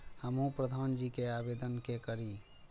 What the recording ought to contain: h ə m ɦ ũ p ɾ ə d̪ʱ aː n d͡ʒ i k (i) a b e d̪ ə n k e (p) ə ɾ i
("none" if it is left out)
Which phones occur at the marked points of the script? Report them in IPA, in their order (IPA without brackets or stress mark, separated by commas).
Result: e, k